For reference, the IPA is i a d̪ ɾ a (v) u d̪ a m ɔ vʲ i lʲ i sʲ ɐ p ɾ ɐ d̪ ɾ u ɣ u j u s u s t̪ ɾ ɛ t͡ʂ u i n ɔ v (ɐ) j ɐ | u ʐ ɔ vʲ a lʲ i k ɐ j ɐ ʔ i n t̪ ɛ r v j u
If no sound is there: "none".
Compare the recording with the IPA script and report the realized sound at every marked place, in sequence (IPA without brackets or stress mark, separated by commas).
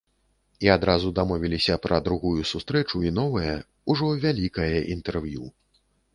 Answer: z, ɐ